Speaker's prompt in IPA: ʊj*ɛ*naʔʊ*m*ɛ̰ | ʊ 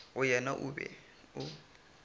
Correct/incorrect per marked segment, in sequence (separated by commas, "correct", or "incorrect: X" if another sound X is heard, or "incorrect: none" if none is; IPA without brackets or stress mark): correct, incorrect: b